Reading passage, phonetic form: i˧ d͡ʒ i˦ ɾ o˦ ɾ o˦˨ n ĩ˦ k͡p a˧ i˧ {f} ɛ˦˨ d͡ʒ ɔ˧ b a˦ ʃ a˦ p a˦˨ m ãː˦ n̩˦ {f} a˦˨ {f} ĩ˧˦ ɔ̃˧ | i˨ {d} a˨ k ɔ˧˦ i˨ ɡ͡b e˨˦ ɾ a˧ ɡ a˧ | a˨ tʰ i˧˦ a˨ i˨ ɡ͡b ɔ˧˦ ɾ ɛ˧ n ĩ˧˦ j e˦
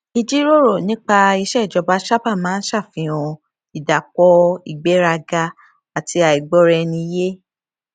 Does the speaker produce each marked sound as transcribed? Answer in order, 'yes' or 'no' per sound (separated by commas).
no, no, yes, yes